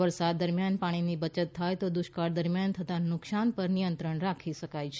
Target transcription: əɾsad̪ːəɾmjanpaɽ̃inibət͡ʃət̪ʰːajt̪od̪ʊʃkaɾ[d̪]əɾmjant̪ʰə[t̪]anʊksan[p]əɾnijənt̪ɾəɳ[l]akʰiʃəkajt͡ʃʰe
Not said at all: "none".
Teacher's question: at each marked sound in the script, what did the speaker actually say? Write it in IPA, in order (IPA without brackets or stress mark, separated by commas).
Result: d̪, t̪, p, ɾ